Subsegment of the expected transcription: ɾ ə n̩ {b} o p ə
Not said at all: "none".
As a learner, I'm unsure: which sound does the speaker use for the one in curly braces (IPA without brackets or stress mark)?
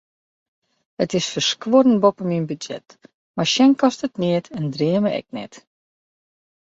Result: b